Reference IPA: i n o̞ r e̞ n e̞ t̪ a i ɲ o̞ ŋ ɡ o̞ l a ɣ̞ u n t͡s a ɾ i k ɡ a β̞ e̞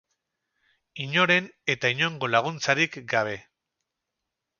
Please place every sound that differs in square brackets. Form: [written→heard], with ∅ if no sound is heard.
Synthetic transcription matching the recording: i [n→ɲ] o̞ [r→ɾ] e̞ n e̞ t̪ a i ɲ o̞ ŋ ɡ o̞ l a ɣ̞ u n t͡s a ɾ i k ɡ a β̞ e̞